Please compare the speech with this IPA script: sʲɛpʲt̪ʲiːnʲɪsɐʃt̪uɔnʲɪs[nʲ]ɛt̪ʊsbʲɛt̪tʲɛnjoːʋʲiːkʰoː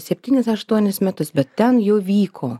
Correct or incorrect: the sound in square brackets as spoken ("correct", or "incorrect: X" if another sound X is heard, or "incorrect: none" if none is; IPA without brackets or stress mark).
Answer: incorrect: mʲ